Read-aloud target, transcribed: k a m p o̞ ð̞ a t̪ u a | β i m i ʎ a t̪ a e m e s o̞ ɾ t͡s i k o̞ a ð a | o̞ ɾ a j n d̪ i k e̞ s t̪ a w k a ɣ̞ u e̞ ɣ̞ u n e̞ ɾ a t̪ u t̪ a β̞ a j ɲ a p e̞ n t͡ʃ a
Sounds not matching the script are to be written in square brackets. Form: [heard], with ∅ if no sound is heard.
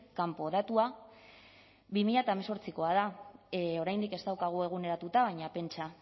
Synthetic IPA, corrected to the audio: k a m p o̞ ð̞ a t̪ u a | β i m i ʎ a t̪ a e m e s o̞ ɾ t͡s i k o̞ a ð a | o̞ ɾ a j n d̪ i k e̞ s t̪ a w k a ɣ̞ u e̞ ɣ̞ u n e̞ ɾ a t̪ u t̪ a β̞ a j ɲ a p e̞ n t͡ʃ a

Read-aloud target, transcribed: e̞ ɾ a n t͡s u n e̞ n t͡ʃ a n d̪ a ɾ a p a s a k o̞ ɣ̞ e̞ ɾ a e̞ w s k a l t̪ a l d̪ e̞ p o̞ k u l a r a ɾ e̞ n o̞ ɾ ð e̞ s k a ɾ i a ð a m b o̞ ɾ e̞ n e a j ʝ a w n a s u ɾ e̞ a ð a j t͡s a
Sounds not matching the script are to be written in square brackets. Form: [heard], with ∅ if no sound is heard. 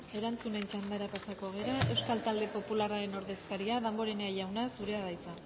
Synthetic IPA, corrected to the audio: e̞ ɾ a n t͡s u n e̞ n t͡ʃ a n d̪ a ɾ a p a s a k o̞ ɣ̞ e̞ ɾ a e̞ w s k a l t̪ a l d̪ e̞ p o̞ [p] u l a r a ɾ e̞ n o̞ ɾ ð e̞ s k a ɾ i a ð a m b o̞ ɾ e̞ n e a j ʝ a w n a s u ɾ e̞ a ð a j t͡s a

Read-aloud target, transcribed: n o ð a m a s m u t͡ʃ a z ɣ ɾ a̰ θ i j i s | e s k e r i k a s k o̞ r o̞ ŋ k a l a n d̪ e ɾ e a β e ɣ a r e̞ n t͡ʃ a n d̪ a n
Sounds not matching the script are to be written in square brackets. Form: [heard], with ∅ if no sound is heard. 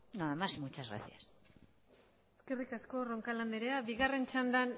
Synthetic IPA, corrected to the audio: n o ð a m a s m u t͡ʃ a z ɣ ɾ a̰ θ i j [a] s | e s k e r i k a s k o̞ r o̞ ŋ k a l a n d̪ e ɾ e a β [i] ɣ a r e̞ n t͡ʃ a n d̪ a n

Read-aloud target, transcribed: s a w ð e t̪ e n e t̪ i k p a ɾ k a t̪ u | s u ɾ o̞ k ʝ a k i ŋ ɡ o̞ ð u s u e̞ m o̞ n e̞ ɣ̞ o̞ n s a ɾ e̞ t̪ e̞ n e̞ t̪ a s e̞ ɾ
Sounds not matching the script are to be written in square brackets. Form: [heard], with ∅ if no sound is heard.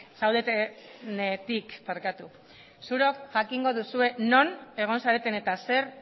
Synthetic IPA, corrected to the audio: s a w ð e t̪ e n e t̪ i k p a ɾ k a t̪ u | s u ɾ o̞ k ʝ a k i ŋ ɡ o̞ ð u s u e̞ [n] o̞ n e̞ ɣ̞ o̞ n s a ɾ e̞ t̪ e̞ n e̞ t̪ a s e̞ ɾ

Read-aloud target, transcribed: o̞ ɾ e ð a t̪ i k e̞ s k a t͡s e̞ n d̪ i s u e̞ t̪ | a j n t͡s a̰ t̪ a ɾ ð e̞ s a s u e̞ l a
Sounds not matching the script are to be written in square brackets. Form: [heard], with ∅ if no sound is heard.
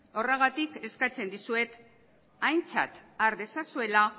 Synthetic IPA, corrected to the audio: o̞ [r] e [ɣ] a t̪ i k e̞ s k a t͡s e̞ n d̪ i s u e̞ t̪ | a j n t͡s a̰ t̪ a ɾ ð e̞ s a s u e̞ l a

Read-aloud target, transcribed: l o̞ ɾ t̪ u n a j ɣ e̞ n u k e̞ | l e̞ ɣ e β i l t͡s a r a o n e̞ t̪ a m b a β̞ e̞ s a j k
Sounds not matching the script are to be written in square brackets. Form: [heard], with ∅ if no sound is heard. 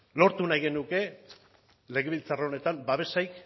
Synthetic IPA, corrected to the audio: l o̞ ɾ t̪ u n a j ɣ e̞ n u k e̞ | l e̞ ɣ e β i l t͡s a r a o n e̞ t̪ a m b a β̞ e̞ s a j k

